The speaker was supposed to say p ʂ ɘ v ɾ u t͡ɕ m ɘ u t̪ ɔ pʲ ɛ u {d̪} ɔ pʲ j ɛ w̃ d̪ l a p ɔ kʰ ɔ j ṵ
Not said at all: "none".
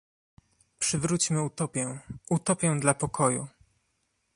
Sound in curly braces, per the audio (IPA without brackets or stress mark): t̪